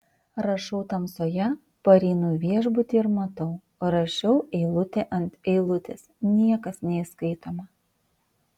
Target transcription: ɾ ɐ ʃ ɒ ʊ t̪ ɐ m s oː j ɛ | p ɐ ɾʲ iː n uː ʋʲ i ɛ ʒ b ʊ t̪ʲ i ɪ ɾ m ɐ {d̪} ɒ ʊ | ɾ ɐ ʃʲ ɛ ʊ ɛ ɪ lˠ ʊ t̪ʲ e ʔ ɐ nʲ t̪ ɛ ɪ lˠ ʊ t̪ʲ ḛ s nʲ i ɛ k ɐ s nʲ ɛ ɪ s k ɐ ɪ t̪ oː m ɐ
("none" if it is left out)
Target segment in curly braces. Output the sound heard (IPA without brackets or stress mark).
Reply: t̪